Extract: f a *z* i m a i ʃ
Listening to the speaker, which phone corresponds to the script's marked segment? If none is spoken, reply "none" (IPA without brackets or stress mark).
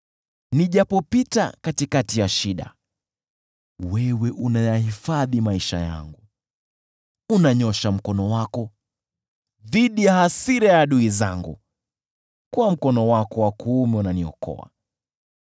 ð